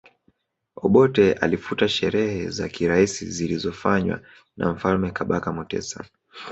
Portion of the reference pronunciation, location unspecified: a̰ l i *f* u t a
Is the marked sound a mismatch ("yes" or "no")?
no